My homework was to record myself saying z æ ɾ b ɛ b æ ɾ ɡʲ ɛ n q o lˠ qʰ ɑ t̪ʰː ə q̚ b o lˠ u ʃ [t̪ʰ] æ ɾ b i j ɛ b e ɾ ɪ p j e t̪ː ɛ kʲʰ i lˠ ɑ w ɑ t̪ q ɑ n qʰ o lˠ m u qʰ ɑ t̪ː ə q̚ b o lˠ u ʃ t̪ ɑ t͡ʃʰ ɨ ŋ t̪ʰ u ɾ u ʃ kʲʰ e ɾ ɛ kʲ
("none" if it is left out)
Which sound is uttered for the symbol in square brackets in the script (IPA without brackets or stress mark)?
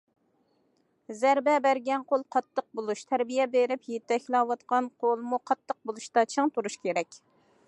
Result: t̪ʰ